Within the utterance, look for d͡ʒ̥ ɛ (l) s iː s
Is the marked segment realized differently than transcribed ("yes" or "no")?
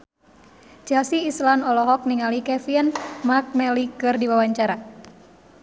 no